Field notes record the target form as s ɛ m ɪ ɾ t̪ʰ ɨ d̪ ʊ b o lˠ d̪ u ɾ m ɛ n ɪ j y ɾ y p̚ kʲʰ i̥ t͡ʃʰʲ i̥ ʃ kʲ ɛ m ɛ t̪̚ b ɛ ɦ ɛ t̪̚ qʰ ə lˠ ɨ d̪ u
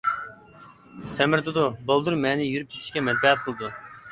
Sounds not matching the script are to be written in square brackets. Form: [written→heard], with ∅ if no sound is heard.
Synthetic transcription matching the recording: s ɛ m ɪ ɾ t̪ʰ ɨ d̪ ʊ b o lˠ d̪ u ɾ m ɛ n ɪ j y ɾ y p̚ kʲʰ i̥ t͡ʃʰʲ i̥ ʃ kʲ ɛ m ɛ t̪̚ b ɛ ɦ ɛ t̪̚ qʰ ə lˠ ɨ d̪ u